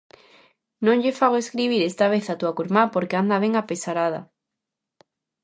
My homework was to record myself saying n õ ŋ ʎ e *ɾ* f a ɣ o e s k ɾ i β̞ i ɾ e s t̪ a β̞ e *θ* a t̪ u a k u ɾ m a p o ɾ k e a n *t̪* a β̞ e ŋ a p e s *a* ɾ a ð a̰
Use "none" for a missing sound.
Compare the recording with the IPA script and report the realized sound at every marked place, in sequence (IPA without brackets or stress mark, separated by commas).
none, θ, d̪, a